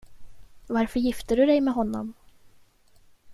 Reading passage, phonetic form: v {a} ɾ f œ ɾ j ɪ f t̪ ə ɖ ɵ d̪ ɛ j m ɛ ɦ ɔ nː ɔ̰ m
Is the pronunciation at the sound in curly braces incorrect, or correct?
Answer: correct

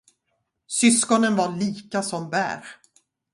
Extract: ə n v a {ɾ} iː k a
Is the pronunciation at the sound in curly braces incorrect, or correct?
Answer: incorrect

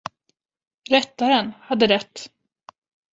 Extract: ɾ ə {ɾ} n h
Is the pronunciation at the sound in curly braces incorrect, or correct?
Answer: incorrect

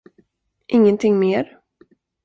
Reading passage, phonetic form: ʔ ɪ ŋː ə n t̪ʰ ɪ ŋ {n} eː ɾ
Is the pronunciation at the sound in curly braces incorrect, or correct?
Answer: incorrect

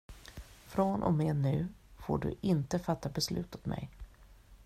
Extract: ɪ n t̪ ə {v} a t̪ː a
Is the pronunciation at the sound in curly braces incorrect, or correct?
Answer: incorrect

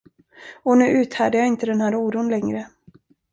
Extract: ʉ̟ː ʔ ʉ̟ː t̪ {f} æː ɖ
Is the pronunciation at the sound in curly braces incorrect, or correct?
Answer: incorrect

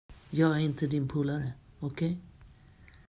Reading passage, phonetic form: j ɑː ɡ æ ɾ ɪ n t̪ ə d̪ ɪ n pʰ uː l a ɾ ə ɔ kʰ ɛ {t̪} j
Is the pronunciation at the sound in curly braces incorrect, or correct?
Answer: incorrect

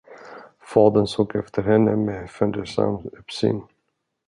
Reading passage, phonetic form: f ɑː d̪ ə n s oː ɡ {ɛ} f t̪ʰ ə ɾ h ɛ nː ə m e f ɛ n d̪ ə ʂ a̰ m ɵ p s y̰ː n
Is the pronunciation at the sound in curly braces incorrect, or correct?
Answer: correct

